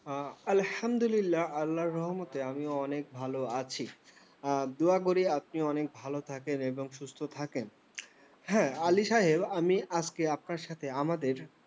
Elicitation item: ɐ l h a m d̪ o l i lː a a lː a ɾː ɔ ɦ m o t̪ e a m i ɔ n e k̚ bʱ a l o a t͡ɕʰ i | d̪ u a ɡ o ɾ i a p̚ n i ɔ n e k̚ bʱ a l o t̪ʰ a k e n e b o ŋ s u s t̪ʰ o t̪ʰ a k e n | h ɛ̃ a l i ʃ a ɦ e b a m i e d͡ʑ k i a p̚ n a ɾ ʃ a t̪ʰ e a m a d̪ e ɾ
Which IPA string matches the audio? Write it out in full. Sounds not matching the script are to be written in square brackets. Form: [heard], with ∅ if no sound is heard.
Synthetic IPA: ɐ l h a m d̪ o l i lː a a lː a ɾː ɔ ɦ m o t̪ e a m i ɔ n e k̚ bʱ a l o a t͡ɕʰ i | d̪ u a ɡ o ɾ i a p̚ n i ɔ n e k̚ bʱ a l o t̪ʰ a k e n e b o ŋ [ʃ] u s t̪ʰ o t̪ʰ a k e n | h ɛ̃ a l i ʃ a ɦ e b a m i [a] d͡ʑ k [e] a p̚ n a ɾ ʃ a t̪ʰ e a m a d̪ e ɾ